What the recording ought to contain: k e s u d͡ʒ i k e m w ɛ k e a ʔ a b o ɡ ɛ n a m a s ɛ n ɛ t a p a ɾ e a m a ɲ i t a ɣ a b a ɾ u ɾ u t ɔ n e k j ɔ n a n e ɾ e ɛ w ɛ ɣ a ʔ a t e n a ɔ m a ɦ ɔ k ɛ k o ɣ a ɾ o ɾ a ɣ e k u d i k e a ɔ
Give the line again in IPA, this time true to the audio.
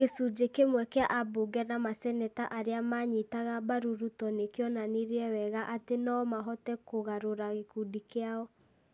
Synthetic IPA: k e s u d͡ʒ e k e m w ɛ k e a ʔ a b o ɡ ɛ n a m a s ɛ n ɛ t a ʔ a ɾ e a m a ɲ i t a ɣ a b a ɾ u ɾ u t ɔ n e k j ɔ n a n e ɾ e ɛ w ɛ ɣ a ʔ a t e n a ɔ m a ɦ ɔ t ɛ k o ɣ a ɾ o ɾ a ɣ e k u d i k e a ɔ